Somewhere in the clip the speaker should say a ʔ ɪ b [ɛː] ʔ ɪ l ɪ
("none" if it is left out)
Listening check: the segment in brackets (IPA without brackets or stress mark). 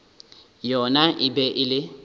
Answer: ɛ